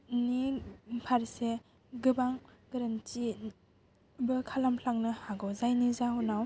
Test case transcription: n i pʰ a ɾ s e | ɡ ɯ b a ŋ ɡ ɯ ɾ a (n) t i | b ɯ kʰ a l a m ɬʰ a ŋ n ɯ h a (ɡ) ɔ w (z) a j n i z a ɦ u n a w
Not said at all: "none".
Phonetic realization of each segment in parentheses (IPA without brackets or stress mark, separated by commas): n, ɡ, z